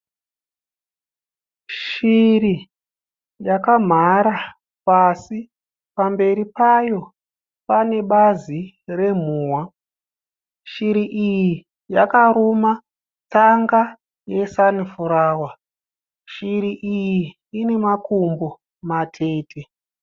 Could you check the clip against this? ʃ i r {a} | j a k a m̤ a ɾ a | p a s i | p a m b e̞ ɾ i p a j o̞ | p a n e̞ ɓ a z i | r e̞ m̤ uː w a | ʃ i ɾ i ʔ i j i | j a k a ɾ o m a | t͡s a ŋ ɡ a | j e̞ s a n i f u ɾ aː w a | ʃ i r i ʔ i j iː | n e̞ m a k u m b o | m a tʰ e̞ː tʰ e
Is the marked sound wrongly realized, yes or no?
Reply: yes